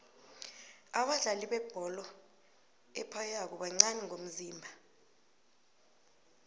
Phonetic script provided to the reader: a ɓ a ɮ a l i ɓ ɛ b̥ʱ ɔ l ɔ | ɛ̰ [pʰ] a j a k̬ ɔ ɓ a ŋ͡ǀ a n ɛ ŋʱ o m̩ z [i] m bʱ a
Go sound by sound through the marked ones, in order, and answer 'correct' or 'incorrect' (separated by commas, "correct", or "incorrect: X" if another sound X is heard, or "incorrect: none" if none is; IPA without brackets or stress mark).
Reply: correct, incorrect: iː